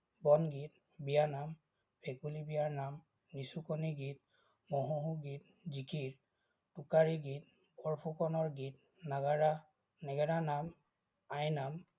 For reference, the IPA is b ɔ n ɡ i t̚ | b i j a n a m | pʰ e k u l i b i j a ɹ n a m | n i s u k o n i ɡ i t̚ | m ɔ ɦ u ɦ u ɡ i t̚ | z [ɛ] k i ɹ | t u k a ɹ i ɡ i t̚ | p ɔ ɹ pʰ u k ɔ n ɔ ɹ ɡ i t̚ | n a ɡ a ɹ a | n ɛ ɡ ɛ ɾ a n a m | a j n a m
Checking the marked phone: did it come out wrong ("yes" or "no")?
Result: yes